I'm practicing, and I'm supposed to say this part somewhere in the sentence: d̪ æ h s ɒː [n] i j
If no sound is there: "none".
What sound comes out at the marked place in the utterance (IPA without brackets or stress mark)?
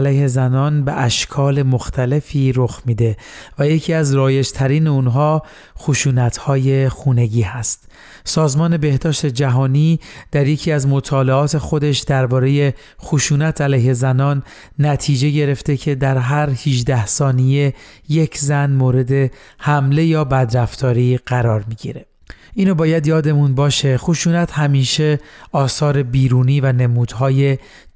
n